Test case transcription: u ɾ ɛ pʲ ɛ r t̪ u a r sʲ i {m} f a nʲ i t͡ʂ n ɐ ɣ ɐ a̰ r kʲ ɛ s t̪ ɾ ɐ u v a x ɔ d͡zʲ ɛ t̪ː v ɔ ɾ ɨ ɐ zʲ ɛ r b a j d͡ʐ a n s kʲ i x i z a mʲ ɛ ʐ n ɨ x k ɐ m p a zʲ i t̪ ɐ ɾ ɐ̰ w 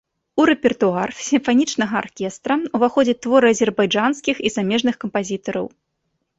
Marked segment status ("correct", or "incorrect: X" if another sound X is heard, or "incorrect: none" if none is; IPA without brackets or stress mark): correct